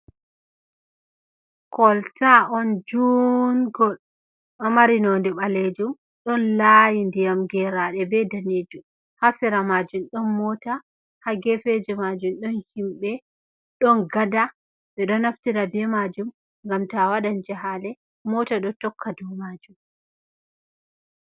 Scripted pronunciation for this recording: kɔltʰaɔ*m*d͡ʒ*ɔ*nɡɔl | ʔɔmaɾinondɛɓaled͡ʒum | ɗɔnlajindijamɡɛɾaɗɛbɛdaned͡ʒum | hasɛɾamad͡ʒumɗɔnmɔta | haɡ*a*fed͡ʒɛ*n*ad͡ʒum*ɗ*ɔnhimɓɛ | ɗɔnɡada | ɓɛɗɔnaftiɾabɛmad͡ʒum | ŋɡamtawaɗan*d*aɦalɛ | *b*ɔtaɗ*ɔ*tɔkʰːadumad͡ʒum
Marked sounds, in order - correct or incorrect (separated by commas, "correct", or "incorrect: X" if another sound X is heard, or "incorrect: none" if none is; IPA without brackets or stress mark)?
incorrect: n, incorrect: u, incorrect: ɛ, incorrect: m, correct, incorrect: d͡ʒ, incorrect: m, correct